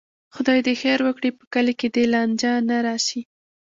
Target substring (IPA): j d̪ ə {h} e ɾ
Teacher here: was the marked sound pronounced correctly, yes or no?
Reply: no